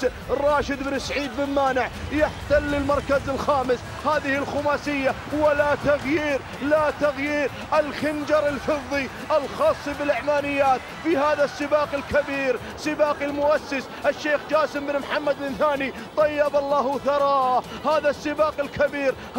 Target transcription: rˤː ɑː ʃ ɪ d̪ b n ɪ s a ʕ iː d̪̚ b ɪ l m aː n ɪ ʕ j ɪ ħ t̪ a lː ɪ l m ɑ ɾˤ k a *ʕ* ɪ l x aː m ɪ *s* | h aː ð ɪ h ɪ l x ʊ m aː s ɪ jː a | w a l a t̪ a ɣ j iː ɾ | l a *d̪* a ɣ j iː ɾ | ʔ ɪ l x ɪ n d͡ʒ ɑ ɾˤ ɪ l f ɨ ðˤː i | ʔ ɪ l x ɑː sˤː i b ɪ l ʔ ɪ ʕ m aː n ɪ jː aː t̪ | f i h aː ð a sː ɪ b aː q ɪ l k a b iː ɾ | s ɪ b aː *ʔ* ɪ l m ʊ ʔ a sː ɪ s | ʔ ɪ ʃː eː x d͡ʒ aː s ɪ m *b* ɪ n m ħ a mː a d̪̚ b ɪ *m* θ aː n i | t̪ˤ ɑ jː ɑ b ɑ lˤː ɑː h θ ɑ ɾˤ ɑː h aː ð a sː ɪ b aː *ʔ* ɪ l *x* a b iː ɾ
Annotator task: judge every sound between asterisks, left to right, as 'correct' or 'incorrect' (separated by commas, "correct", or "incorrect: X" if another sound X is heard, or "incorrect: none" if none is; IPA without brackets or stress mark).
incorrect: z, correct, incorrect: t̪, incorrect: q, correct, incorrect: n, incorrect: q, incorrect: k